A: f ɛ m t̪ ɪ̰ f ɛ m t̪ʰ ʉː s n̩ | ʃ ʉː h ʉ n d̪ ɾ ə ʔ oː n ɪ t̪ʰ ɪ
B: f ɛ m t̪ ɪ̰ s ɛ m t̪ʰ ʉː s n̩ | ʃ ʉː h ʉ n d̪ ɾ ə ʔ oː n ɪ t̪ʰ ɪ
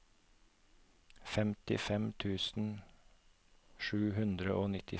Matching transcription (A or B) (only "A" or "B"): A